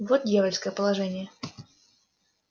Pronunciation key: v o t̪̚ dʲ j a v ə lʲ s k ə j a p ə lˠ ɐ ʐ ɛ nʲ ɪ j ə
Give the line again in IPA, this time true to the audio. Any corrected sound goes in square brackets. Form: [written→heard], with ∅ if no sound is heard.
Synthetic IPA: v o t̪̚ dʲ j a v ə lʲ s k ə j [a→ə] p ə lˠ ɐ ʐ ɛ nʲ ɪ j ə